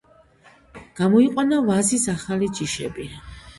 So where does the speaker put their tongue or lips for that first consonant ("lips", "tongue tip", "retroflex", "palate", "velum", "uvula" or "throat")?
velum